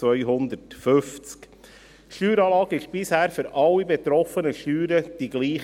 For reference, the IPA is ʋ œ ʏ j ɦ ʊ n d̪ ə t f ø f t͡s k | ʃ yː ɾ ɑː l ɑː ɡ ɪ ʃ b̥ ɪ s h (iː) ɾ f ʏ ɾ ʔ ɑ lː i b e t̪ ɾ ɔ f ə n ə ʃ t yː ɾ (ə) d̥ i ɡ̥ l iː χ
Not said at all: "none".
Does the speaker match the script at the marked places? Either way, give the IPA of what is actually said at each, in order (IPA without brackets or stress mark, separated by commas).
æː, ə